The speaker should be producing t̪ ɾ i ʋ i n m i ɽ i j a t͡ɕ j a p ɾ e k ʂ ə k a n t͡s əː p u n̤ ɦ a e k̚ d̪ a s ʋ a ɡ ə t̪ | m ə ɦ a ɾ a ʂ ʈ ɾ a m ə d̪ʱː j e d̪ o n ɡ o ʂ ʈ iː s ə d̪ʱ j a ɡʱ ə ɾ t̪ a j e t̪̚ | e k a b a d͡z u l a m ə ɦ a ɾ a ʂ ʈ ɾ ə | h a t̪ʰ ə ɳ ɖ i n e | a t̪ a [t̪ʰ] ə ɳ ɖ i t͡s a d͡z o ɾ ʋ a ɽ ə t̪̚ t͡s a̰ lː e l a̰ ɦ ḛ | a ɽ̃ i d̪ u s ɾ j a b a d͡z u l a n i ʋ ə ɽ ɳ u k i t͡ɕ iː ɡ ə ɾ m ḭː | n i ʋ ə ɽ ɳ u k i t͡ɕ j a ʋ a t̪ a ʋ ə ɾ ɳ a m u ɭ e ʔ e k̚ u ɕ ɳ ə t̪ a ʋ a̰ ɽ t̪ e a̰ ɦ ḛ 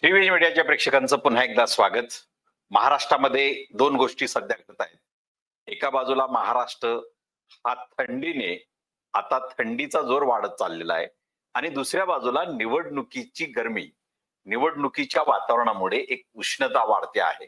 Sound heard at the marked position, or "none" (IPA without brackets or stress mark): t̪ʰ